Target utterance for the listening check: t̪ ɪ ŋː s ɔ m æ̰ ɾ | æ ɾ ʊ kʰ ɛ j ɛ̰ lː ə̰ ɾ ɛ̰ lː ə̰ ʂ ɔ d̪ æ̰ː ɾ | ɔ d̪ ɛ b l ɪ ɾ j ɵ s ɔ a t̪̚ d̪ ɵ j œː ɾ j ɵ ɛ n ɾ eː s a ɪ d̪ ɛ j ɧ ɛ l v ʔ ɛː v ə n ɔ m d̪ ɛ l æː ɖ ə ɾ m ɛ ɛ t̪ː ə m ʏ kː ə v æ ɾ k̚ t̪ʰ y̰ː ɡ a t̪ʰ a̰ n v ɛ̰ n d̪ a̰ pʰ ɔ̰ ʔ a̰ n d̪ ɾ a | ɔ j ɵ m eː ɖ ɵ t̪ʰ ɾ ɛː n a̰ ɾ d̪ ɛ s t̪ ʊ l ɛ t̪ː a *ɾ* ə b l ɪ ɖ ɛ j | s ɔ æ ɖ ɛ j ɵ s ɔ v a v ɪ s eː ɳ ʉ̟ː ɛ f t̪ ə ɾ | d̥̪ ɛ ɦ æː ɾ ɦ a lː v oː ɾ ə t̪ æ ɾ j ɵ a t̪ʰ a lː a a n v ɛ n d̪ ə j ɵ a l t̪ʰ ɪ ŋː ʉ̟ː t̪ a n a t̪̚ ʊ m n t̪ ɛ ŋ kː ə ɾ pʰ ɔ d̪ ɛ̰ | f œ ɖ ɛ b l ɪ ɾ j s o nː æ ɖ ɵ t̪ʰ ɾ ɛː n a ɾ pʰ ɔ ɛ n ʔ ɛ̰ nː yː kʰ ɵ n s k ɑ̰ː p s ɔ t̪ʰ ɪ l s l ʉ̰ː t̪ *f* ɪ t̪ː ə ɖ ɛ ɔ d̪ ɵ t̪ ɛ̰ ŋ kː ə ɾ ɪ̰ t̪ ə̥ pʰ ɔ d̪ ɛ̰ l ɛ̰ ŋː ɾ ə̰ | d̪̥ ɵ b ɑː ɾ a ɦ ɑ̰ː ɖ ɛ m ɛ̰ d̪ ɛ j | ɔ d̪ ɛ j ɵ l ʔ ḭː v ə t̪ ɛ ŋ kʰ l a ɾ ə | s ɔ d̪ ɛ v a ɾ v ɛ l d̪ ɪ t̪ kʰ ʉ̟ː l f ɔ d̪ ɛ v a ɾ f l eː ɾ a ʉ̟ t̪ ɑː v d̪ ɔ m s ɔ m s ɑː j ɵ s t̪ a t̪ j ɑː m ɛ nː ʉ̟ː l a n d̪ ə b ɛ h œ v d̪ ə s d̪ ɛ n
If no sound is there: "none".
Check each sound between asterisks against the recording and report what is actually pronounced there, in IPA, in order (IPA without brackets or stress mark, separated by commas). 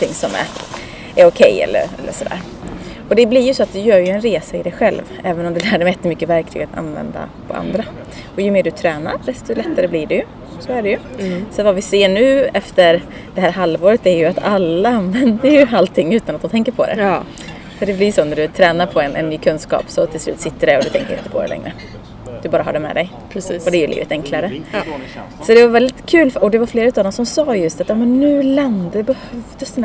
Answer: ɾ, s